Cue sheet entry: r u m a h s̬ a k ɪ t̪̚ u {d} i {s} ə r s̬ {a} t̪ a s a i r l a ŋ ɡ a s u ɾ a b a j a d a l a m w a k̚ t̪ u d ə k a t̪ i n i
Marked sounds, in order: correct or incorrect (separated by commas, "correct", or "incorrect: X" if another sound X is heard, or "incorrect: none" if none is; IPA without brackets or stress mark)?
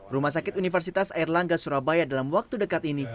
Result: incorrect: n, incorrect: f, incorrect: i